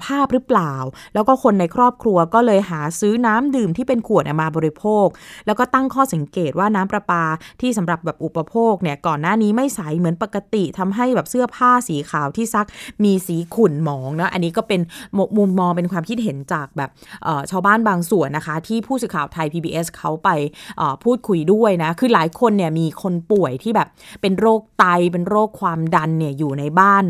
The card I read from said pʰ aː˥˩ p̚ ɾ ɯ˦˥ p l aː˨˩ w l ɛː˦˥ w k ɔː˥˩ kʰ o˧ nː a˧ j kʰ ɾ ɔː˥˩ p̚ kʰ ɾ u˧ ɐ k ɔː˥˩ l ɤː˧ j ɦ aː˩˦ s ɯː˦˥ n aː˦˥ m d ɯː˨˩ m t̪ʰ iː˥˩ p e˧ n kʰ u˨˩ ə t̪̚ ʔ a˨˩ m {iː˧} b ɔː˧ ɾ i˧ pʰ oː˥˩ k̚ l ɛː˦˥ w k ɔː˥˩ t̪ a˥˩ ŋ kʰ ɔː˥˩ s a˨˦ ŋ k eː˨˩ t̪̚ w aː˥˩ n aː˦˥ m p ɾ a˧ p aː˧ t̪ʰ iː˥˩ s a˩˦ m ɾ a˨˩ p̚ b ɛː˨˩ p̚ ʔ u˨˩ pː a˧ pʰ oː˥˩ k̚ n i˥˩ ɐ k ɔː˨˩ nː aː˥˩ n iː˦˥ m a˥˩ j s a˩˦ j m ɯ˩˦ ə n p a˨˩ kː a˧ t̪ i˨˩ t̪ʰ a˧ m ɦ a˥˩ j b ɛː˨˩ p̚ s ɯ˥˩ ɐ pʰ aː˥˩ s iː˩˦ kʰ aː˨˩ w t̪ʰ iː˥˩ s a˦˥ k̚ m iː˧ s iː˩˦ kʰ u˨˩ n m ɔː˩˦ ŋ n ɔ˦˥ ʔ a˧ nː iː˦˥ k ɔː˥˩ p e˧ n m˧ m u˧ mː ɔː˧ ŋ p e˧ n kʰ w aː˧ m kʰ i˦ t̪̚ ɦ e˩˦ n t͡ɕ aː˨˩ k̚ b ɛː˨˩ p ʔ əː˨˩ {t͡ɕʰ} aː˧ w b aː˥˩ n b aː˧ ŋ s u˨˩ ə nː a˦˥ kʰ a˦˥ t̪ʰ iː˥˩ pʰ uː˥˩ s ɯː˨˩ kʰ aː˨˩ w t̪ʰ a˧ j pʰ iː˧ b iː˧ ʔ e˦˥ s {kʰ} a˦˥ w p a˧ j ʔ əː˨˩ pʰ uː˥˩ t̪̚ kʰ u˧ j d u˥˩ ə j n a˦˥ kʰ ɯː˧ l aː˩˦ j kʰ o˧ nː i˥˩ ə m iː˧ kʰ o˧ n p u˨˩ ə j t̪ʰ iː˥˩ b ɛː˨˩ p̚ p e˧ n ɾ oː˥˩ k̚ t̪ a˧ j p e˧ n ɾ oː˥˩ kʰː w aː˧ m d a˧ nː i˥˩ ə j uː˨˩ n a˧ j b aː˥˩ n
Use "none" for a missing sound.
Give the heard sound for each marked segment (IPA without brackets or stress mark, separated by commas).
aː˧, t͡ɕʰ, kʰ